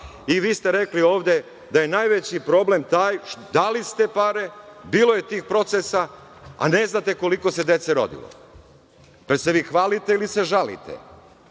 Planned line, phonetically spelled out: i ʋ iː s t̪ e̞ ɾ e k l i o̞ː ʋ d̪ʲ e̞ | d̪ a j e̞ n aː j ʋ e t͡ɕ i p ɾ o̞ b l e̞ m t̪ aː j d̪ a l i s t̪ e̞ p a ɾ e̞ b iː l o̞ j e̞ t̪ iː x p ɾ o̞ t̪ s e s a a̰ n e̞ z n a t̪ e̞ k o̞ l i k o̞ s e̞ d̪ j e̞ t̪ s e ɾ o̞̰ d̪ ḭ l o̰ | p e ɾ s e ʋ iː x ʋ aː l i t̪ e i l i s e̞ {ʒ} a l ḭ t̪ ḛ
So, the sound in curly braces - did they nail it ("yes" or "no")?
yes